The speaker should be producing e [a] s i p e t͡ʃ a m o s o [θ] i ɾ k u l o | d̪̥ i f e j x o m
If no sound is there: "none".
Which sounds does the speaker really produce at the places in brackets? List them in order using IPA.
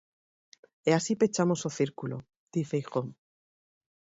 a, θ

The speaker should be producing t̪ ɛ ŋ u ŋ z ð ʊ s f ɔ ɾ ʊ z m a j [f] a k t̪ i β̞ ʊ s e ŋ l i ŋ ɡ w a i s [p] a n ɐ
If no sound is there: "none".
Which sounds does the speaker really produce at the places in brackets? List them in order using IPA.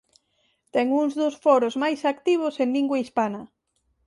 s, p

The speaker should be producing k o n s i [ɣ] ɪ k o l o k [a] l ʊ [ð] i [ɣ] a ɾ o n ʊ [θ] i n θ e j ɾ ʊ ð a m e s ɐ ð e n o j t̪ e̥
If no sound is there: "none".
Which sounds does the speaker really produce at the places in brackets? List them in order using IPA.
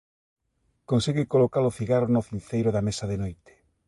ɣ, a, θ, ɣ, θ

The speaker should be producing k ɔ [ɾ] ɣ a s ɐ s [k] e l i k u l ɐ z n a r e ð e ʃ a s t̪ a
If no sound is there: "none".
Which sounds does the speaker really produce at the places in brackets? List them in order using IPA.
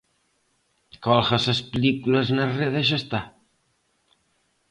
l, p

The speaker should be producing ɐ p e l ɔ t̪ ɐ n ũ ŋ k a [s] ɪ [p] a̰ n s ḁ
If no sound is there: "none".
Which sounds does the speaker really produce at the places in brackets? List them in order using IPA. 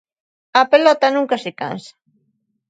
s, k

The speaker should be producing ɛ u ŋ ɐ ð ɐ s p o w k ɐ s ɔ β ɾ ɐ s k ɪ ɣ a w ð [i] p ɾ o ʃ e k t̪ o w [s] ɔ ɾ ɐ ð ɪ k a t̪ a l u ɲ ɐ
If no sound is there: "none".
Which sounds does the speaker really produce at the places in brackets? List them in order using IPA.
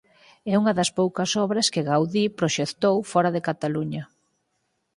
i, f

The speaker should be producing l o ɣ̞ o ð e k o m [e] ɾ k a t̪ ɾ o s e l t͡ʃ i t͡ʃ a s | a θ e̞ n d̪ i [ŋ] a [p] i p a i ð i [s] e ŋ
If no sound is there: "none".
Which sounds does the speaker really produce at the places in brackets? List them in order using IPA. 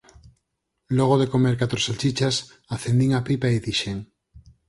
e, ŋ, p, ʃ

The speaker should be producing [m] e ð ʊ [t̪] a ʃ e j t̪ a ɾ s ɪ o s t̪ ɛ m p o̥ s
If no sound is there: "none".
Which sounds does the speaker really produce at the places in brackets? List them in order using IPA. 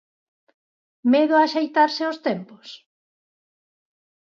m, none

